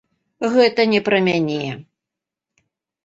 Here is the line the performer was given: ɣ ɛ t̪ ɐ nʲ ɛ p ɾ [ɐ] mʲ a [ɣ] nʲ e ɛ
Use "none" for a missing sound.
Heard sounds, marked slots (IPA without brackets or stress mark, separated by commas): ɐ, none